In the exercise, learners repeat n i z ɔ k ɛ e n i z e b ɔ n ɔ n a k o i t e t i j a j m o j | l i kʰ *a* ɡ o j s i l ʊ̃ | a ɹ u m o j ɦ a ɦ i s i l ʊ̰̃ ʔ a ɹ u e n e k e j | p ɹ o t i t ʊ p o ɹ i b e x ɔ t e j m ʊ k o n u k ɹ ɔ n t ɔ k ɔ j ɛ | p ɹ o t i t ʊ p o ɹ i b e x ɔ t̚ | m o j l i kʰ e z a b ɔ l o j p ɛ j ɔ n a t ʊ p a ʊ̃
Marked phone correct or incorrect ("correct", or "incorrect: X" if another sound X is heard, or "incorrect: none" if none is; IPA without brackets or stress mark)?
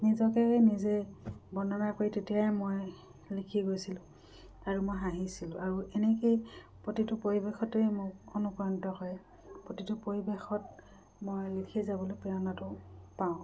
incorrect: i